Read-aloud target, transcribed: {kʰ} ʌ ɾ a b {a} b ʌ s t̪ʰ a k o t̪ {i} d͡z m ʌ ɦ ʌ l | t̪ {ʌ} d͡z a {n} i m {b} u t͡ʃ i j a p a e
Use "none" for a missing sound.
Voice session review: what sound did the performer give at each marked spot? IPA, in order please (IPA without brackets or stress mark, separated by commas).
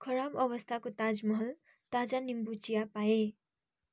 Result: kʰ, ʌ, a, a, n, b